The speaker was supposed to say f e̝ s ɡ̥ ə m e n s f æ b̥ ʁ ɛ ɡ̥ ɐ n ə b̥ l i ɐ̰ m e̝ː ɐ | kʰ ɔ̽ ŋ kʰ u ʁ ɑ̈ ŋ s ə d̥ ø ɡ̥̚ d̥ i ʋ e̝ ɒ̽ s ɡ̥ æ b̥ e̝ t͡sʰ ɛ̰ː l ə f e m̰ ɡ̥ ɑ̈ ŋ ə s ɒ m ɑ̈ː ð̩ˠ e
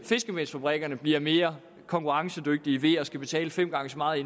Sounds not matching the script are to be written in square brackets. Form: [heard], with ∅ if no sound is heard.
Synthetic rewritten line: f e̝ s ɡ̥ ə m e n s f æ b̥ ʁ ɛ ɡ̥ ɐ n ə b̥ l i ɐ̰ m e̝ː ɐ | kʰ [ɒ̽] ŋ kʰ u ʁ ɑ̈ ŋ s ə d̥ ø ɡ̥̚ d̥ i ʋ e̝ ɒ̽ s ɡ̥ æ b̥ e̝ t͡sʰ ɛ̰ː l ə f e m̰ ɡ̥ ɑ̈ ŋ ə s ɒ m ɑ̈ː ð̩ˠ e